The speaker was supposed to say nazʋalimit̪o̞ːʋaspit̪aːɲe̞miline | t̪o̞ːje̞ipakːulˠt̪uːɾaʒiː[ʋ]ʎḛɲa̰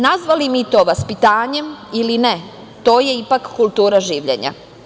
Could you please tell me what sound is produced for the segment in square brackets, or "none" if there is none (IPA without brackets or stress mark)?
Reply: ʋ